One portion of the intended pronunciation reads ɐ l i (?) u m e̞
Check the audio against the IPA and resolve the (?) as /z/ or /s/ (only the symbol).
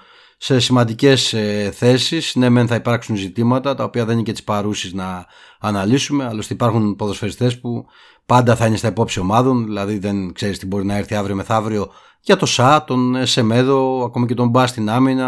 s